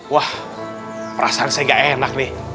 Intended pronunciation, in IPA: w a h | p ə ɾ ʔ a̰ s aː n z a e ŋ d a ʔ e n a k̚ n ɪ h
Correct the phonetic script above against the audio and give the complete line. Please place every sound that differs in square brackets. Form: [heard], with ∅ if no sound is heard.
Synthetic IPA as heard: w a h | p ə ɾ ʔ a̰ s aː n [s] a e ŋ [ɡ] a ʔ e n a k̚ n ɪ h